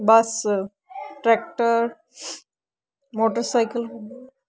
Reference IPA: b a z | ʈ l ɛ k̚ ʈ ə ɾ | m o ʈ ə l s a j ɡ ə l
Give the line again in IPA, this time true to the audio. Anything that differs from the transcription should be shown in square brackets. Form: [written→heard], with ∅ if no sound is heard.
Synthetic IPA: b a [z→s] | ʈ [l→ɾ] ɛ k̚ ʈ ə ɾ | m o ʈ ə [l→ɾ] s a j [ɡ→k] ə l

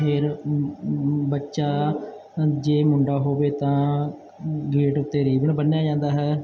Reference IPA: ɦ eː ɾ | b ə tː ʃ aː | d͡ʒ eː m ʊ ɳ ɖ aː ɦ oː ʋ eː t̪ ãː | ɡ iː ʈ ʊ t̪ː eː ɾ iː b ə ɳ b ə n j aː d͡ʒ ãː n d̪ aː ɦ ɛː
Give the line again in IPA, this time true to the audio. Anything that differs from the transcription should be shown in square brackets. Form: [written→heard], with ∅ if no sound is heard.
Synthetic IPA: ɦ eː ɾ | b ə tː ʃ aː | d͡ʒ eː m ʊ ɳ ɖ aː ɦ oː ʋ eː t̪ ãː | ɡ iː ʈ ʊ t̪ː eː ɾ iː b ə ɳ b ə n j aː d͡ʒ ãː n d̪ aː ɦ ɛː

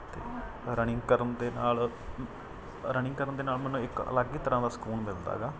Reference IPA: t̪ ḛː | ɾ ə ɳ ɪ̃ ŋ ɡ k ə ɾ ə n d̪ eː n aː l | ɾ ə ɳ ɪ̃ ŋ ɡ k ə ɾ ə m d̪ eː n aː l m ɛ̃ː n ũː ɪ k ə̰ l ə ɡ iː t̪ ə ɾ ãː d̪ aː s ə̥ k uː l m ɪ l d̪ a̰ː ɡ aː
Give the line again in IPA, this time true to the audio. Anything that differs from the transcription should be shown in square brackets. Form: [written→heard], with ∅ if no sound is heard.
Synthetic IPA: t̪ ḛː | ɾ ə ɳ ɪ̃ ŋ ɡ k ə ɾ ə n d̪ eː n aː l | ɾ ə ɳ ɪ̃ ŋ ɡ k ə ɾ ə [m→n] d̪ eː n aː l m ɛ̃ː n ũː ɪ k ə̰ l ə ɡ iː t̪ ə ɾ ãː d̪ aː s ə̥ k uː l m ɪ l d̪ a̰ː ɡ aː

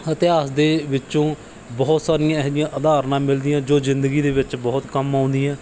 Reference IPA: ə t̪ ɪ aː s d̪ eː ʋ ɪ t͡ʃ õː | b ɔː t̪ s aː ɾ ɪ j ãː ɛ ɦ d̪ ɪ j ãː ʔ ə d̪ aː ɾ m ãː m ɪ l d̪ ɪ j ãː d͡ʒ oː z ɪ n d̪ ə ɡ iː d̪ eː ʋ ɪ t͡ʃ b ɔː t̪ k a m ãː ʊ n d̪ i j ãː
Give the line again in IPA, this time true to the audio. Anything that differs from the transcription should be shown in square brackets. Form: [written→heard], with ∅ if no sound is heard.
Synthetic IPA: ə t̪ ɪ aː s d̪ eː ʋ ɪ t͡ʃ õː | b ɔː t̪ s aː ɾ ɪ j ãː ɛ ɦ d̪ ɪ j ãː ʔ ə d̪ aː ɾ [m→n] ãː m ɪ l d̪ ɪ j ãː d͡ʒ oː z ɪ n d̪ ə ɡ iː d̪ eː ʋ ɪ t͡ʃ b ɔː t̪ k [a→ə] m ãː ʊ n d̪ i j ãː

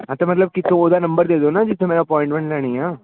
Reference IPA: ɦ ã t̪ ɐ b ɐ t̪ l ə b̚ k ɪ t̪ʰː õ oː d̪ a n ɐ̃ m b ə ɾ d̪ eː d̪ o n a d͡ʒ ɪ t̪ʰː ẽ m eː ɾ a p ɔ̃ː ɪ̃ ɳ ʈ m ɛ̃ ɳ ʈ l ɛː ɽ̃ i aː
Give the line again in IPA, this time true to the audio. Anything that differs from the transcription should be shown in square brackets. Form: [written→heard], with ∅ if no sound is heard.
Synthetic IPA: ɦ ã t̪ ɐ [b→m] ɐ t̪ l ə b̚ k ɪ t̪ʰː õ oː d̪ a n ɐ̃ m b ə ɾ d̪ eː d̪ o n a d͡ʒ ɪ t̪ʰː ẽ m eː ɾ a p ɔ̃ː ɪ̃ ɳ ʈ m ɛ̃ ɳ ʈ l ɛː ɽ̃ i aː

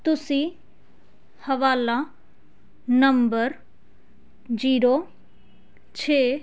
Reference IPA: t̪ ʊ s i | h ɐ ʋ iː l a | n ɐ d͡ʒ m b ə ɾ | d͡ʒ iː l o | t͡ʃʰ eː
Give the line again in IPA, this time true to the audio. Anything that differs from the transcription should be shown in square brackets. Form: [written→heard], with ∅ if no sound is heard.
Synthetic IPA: t̪ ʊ s i | h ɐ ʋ [iː→aː] l a | n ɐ [d͡ʒ→∅] m b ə ɾ | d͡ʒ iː [l→ɾ] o | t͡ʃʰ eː

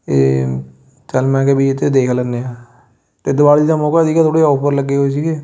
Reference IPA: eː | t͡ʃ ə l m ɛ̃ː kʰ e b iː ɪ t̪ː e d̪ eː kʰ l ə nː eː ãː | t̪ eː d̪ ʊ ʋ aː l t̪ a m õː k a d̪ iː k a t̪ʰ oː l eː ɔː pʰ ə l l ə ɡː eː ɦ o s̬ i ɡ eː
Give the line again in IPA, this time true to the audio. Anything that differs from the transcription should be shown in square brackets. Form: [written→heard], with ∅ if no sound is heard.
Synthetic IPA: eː | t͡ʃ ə l m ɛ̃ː [kʰ→k] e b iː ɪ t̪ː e d̪ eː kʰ l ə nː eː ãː | t̪ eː d̪ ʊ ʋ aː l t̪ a m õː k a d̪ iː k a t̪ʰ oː [l→ɽ] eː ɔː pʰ ə [l→ɾ] l ə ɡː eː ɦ o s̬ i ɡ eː

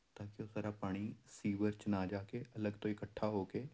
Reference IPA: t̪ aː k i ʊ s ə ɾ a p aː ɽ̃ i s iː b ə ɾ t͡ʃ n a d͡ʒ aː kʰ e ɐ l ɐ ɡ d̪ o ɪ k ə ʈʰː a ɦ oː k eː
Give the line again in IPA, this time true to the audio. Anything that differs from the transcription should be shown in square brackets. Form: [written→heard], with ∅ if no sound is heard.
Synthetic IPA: t̪ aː k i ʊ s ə ɾ a p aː ɽ̃ i s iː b ə ɾ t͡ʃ n a d͡ʒ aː [kʰ→k] e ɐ l [ɐ→ə] ɡ [d̪→t̪] o ɪ k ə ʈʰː a ɦ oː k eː

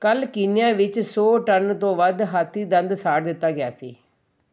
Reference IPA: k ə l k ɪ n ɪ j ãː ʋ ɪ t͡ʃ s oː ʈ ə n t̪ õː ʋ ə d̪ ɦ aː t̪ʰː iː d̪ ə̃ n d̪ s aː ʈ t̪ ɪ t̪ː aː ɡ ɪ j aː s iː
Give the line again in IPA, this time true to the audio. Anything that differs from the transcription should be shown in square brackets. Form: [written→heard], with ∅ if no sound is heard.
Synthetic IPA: k ə l k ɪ n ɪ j ãː ʋ ɪ t͡ʃ s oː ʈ ə n t̪ õː ʋ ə d̪ ɦ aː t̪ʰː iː d̪ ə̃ n d̪ s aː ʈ [t̪→d̪] ɪ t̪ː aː ɡ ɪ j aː s iː

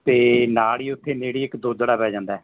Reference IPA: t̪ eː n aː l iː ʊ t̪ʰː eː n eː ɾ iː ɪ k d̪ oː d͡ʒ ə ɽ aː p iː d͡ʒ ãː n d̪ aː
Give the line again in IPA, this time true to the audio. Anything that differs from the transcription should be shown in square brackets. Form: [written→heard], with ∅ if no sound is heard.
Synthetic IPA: t̪ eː n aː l iː ʊ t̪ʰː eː n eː [ɾ→ɽ] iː ɪ k d̪ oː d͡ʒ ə ɽ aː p [iː→ɛː] d͡ʒ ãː n d̪ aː

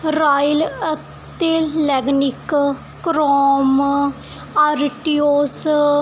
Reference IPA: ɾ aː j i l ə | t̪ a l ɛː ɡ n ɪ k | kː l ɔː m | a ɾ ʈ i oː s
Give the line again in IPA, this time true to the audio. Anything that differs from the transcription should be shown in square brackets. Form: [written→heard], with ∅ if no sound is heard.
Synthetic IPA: ɾ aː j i l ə | t̪ [a→e] l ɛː ɡ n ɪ k | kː [l→ɾ] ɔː m | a ɾ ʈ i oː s

